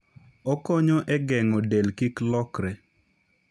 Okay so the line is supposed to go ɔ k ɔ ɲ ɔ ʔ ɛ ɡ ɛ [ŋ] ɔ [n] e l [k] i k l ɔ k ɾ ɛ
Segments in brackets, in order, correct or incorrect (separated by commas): correct, incorrect, correct